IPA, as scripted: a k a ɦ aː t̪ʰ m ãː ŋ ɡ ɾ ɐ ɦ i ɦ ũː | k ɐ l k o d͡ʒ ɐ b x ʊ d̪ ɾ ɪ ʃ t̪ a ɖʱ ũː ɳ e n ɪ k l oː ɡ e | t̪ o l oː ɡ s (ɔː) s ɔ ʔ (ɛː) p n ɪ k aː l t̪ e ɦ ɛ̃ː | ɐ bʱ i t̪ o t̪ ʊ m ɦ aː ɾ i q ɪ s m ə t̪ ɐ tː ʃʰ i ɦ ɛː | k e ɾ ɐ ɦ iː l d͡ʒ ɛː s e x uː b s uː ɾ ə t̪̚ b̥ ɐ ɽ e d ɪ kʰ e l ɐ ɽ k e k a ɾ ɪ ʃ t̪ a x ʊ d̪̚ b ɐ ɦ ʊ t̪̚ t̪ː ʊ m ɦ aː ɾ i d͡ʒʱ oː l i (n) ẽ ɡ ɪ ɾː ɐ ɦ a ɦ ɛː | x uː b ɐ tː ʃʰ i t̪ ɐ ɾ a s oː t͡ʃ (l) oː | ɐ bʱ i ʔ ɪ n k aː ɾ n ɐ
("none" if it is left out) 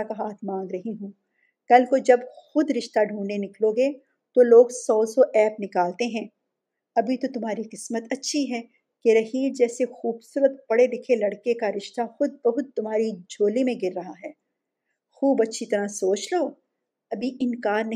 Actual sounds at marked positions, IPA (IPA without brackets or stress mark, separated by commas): ɔː, ɛː, m, l